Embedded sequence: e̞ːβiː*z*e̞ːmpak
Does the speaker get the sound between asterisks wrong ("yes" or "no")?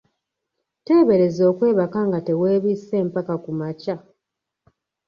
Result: yes